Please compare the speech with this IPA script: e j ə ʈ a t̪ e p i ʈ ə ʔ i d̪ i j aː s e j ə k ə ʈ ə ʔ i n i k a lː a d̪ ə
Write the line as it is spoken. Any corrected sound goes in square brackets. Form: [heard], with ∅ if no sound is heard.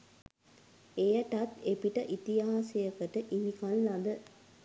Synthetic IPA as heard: e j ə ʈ a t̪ e p i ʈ ə ʔ i [t̪] i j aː s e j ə k ə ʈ ə ʔ i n i k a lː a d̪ ə